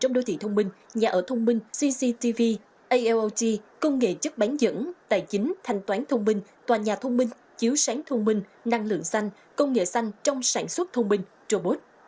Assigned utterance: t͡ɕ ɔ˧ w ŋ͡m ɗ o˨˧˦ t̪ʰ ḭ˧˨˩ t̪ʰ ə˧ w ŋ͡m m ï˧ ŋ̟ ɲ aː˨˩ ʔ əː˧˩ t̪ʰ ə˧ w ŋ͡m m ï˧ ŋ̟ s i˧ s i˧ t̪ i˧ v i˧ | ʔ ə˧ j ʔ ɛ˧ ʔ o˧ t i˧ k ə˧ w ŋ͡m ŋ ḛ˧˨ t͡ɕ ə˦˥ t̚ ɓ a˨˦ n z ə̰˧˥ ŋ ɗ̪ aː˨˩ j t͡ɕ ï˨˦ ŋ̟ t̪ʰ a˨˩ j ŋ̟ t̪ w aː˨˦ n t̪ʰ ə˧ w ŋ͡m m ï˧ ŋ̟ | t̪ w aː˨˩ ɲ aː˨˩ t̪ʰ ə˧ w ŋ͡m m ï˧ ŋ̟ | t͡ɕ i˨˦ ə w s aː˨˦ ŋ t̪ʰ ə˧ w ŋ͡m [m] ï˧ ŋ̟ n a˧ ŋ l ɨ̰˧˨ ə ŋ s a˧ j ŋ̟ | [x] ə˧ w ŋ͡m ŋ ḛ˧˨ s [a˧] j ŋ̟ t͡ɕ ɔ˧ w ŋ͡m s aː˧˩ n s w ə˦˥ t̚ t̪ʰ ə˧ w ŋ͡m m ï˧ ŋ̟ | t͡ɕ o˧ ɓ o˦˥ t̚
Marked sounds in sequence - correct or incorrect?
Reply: correct, incorrect: k, correct

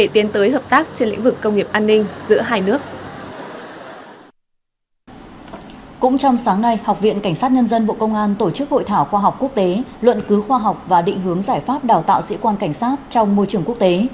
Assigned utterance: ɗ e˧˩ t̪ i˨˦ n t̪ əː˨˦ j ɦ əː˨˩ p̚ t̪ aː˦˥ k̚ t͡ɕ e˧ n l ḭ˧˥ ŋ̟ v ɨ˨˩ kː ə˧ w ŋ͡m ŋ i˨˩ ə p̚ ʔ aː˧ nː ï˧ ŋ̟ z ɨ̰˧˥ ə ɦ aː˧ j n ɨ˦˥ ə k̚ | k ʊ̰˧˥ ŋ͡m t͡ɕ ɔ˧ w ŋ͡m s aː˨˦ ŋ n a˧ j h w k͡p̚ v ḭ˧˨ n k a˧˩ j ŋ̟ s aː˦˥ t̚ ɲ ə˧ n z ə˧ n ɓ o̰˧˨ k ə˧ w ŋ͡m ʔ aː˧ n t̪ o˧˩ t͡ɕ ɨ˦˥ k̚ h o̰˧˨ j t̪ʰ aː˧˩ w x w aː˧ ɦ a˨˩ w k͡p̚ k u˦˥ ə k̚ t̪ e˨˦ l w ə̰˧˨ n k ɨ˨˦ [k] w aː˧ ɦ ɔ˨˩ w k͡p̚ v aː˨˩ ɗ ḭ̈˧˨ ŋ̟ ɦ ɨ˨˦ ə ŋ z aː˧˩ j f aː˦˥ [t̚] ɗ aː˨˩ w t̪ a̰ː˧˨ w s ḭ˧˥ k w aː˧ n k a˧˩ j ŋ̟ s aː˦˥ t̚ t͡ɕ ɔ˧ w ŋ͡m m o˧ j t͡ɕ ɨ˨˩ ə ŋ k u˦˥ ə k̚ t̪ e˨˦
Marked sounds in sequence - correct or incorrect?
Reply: incorrect: x, incorrect: p̚

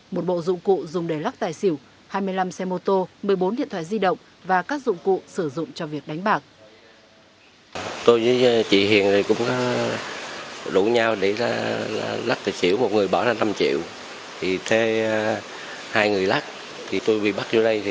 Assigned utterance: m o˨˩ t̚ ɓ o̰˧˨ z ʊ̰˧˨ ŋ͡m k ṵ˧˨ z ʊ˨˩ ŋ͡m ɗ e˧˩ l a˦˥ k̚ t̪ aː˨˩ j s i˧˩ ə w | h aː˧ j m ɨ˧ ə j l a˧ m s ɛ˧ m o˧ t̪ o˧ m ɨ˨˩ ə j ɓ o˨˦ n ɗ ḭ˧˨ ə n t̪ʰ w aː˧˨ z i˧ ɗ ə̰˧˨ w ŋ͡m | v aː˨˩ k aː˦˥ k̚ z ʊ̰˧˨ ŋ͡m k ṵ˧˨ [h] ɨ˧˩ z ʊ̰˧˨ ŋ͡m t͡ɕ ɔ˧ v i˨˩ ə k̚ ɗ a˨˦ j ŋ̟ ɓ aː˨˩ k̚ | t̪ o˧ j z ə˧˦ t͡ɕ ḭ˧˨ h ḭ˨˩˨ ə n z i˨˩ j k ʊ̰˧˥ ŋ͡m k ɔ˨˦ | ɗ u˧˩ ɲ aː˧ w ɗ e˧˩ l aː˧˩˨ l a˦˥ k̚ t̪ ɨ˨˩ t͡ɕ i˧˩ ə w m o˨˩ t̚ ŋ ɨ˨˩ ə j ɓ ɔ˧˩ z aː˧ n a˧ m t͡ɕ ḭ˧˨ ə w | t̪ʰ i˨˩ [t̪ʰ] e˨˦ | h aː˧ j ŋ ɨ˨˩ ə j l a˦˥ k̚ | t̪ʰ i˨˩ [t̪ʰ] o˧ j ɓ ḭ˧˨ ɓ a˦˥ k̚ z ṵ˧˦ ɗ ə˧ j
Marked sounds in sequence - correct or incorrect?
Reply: incorrect: s, correct, incorrect: t̪

